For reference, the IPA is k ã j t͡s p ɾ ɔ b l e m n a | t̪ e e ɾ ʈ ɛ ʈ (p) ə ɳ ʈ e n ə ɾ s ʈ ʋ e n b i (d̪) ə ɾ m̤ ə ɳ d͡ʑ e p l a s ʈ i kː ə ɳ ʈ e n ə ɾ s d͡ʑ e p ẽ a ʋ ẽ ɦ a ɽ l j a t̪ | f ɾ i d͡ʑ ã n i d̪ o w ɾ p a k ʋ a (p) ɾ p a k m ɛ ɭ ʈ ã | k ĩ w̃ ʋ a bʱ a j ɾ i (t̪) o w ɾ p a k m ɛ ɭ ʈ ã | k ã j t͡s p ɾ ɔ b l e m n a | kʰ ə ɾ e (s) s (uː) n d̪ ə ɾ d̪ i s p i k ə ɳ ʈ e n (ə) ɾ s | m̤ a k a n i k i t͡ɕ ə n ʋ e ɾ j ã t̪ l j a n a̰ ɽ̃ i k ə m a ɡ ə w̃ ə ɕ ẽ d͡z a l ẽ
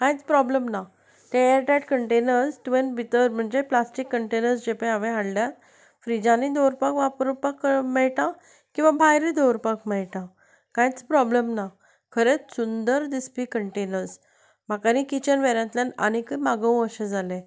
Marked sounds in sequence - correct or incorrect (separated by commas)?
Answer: incorrect, incorrect, correct, incorrect, incorrect, incorrect, correct